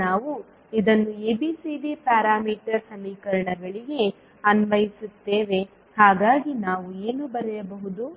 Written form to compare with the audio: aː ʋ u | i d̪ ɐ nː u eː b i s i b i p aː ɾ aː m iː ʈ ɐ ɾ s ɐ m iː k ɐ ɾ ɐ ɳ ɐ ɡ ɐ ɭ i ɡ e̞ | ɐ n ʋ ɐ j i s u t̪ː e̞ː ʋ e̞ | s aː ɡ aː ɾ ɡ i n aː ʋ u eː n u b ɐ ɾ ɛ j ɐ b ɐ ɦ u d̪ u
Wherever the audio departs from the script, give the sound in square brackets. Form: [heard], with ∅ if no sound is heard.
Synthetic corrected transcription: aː ʋ u | i d̪ ɐ nː u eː b i s i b i p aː ɾ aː m iː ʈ ɐ ɾ s ɐ m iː k ɐ ɾ ɐ ɳ ɐ ɡ ɐ ɭ i ɡ e̞ | ɐ n ʋ ɐ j i s u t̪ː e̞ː ʋ e̞ | [h] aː ɡ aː [∅] ɡ i n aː ʋ u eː n u b ɐ ɾ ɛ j ɐ b ɐ ɦ u d̪ u

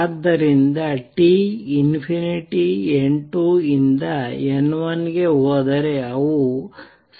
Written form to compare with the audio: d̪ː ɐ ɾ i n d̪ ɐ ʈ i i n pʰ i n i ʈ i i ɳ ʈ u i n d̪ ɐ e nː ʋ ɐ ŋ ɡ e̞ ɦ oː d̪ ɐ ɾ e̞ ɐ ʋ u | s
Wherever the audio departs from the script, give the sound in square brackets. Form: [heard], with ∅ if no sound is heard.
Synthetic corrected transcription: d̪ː ɐ ɾ i n d̪ ɐ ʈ i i n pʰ i n i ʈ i [e] ɳ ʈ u i n d̪ ɐ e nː ʋ ɐ [n] ɡ e̞ ɦ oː d̪ ɐ ɾ e̞ ɐ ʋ u | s

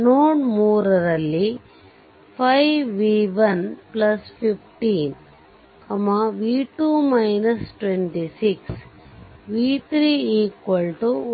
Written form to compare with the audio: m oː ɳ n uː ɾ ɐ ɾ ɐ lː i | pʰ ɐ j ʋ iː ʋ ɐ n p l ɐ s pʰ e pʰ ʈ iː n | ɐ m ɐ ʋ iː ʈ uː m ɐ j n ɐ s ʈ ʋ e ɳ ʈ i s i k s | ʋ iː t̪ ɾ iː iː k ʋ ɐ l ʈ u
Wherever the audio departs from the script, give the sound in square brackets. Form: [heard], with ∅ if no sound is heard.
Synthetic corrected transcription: [n] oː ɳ [m] uː ɾ ɐ ɾ ɐ lː i | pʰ ɐ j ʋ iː ʋ ɐ n p l ɐ s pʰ [i] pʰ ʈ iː n | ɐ m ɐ ʋ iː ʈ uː m ɐ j n ɐ s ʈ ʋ e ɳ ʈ i s i k s | ʋ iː t̪ ɾ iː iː k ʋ ɐ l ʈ u

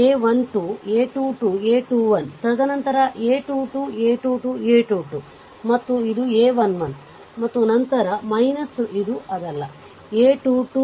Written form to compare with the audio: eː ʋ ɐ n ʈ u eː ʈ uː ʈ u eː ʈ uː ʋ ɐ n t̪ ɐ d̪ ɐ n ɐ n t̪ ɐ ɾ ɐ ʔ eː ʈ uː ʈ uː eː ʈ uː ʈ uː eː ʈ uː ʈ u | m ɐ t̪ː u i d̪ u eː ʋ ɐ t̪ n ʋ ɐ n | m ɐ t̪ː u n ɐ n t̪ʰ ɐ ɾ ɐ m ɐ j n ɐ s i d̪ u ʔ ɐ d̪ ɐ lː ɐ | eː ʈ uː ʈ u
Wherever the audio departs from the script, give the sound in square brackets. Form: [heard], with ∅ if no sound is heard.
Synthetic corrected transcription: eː ʋ ɐ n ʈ u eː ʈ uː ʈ u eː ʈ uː ʋ ɐ n t̪ ɐ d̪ ɐ n ɐ n t̪ ɐ ɾ ɐ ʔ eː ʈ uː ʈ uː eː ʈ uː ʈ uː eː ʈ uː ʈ u | m ɐ t̪ː u i d̪ u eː ʋ ɐ [∅] n ʋ ɐ n | m ɐ t̪ː u n ɐ n [t̪] ɐ ɾ ɐ m ɐ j n ɐ s i d̪ u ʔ ɐ d̪ ɐ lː ɐ | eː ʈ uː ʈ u

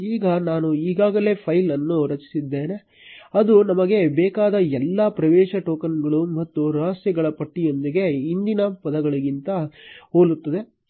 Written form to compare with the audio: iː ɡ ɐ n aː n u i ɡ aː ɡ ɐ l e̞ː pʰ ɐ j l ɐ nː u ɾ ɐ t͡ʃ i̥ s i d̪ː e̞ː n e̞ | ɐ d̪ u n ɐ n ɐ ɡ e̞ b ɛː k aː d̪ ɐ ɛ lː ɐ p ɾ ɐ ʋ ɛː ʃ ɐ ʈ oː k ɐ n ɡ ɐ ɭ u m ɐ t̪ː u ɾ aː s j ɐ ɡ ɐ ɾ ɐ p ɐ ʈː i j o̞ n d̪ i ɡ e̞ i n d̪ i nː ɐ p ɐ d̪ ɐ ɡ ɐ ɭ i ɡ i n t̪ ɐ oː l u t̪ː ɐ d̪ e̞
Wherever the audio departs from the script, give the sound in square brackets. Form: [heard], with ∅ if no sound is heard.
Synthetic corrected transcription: iː ɡ ɐ n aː n u [iː] ɡ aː ɡ ɐ l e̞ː pʰ ɐ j l ɐ nː u ɾ ɐ t͡ʃ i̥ s i d̪ː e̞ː n e̞ | ɐ d̪ u n ɐ [m] ɐ ɡ e̞ b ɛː k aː d̪ ɐ ɛ lː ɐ p ɾ ɐ ʋ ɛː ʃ ɐ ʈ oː k ɐ n ɡ ɐ ɭ u m ɐ t̪ː u ɾ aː s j ɐ ɡ ɐ [ɭ] ɐ p ɐ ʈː i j o̞ n d̪ i ɡ e̞ i n d̪ i [n] ɐ p ɐ d̪ ɐ ɡ ɐ ɭ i ɡ i n t̪ ɐ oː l u t̪ː ɐ d̪ e̞

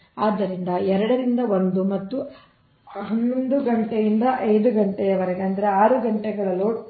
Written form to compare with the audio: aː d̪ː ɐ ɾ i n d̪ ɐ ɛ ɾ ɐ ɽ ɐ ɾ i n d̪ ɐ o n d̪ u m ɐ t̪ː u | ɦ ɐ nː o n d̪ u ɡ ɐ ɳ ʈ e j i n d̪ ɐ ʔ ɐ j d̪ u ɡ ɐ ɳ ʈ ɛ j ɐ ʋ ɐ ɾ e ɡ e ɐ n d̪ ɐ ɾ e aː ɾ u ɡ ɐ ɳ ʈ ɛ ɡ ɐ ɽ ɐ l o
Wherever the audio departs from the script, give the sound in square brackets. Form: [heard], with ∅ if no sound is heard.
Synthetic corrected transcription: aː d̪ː ɐ ɾ i n d̪ ɐ ɛ ɾ ɐ ɽ ɐ ɾ i n d̪ ɐ o n d̪ u m ɐ t̪ː u | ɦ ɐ nː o n d̪ u ɡ ɐ ɳ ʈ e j i n d̪ ɐ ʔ ɐ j d̪ u ɡ ɐ ɳ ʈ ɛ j ɐ ʋ ɐ ɾ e ɡ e ɐ n d̪ ɐ ɾ e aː ɾ u ɡ ɐ ɳ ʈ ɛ ɡ ɐ [ɭ] ɐ l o

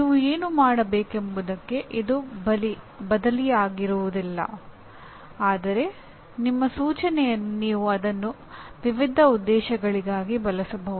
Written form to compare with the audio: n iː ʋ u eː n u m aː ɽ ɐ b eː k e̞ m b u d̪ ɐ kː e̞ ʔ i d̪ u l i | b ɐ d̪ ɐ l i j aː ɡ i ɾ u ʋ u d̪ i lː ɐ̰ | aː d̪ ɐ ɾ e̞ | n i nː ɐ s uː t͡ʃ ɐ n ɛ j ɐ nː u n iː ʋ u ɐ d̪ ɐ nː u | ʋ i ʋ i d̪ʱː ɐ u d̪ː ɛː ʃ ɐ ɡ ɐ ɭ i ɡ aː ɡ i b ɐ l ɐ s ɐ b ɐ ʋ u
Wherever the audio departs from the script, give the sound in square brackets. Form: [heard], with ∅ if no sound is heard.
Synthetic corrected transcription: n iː ʋ u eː n u m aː ɽ ɐ b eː k e̞ m b u d̪ ɐ kː e̞ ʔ i d̪ u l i | b ɐ d̪ ɐ l i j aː ɡ i ɾ u ʋ u d̪ i lː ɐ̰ | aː d̪ ɐ ɾ e̞ | n i [mː] ɐ s uː t͡ʃ ɐ n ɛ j ɐ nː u n iː ʋ u ɐ d̪ ɐ nː u | ʋ i ʋ i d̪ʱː ɐ u d̪ː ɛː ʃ ɐ ɡ ɐ ɭ i ɡ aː ɡ i b ɐ l ɐ s ɐ b ɐ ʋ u

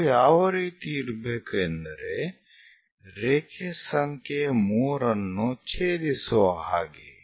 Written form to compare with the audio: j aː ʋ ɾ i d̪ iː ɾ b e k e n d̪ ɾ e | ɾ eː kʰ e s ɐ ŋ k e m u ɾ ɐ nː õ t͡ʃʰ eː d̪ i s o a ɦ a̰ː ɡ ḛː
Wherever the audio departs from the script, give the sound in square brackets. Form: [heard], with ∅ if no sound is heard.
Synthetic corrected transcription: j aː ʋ ɾ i [t̪] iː ɾ b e k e n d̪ ɾ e | ɾ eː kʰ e s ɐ ŋ k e m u ɾ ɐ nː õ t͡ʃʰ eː d̪ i s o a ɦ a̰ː ɡ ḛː

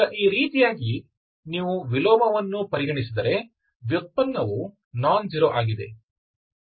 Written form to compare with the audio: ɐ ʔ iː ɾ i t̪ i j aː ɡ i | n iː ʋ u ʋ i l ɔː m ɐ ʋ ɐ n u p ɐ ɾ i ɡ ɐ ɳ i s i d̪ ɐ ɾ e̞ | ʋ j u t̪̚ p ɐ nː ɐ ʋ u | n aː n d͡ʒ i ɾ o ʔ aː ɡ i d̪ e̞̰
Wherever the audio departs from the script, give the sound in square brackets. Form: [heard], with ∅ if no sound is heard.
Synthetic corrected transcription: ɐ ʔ iː ɾ [iː] t̪ i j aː ɡ i | n iː ʋ u ʋ i l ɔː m ɐ ʋ ɐ [nː] u p ɐ ɾ i ɡ ɐ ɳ i s i d̪ ɐ ɾ e̞ | ʋ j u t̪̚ p ɐ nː ɐ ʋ u | n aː n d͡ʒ i ɾ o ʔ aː ɡ i d̪ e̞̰

